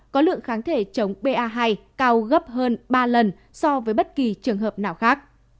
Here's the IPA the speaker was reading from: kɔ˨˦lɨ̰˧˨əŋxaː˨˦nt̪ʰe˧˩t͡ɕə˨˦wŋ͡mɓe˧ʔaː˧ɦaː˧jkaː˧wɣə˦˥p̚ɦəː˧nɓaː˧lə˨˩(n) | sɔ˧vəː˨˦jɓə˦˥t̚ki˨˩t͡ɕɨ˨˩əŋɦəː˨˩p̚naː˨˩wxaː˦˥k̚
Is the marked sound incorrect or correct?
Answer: correct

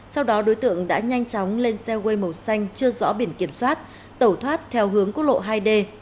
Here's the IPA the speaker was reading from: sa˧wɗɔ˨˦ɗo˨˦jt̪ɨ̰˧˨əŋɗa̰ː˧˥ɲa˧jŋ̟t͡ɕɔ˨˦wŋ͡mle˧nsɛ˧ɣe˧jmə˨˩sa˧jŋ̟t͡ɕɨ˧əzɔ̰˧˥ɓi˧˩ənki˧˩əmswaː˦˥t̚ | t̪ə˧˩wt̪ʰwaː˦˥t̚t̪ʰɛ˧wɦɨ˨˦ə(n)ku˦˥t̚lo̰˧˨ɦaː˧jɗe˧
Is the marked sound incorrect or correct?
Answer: incorrect: ŋ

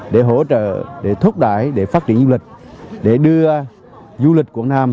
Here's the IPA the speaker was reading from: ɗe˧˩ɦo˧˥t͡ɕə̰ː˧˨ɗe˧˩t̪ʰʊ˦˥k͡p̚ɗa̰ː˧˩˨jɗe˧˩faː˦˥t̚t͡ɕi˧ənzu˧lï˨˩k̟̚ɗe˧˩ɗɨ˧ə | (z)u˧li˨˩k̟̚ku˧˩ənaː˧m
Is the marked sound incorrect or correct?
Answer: correct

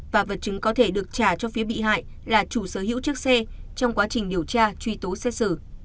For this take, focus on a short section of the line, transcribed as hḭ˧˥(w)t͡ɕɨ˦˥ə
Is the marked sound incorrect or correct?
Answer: correct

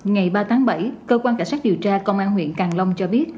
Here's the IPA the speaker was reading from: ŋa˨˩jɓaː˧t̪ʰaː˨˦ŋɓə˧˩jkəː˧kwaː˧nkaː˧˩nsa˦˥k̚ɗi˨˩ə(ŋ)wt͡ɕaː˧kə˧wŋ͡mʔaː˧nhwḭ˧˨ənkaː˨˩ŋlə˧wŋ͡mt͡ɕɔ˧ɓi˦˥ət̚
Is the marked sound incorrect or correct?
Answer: incorrect: none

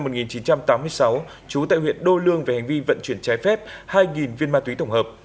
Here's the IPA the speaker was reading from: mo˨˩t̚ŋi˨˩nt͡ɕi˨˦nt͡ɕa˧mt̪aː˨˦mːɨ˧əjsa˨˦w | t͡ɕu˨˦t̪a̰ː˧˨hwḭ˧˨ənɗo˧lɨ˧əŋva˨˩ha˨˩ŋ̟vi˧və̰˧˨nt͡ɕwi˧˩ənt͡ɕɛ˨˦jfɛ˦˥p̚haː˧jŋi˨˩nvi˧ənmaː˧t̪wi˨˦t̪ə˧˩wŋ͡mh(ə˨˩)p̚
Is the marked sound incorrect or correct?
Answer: incorrect: əː˨˩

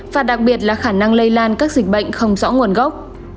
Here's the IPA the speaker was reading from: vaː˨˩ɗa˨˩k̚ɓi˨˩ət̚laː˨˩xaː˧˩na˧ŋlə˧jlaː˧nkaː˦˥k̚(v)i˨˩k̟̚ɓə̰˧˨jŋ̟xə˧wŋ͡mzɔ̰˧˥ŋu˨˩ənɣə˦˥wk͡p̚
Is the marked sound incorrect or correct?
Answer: incorrect: z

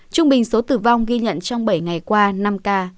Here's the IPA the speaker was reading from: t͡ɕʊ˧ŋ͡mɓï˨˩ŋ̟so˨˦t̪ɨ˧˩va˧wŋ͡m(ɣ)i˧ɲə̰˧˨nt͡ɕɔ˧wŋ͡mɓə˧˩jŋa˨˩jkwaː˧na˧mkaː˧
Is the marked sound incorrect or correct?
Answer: correct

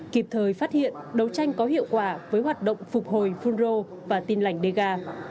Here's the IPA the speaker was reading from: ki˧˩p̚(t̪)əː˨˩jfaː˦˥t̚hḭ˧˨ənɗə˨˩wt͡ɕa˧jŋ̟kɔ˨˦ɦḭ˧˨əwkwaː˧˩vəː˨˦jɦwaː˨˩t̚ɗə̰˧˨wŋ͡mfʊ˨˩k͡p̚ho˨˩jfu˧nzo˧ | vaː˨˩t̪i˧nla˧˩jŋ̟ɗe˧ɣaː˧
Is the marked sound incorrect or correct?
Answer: incorrect: t̪ʰ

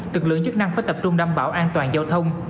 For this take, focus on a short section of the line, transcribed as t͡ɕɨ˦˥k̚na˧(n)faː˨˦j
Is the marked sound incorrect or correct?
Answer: incorrect: ŋ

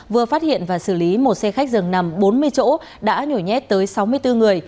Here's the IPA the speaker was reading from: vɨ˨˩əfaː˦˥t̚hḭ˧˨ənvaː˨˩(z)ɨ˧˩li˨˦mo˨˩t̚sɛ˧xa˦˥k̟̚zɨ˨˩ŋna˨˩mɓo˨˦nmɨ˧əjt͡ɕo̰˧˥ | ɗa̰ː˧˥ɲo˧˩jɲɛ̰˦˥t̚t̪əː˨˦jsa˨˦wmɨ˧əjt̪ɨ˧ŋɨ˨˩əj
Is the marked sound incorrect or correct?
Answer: incorrect: s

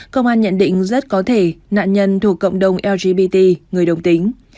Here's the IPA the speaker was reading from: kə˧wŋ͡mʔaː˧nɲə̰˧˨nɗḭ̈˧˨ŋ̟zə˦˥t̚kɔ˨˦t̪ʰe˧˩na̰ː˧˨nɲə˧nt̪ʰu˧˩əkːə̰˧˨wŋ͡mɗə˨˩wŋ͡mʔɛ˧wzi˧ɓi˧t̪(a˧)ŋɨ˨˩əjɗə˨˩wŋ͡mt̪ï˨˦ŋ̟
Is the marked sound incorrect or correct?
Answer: incorrect: i˧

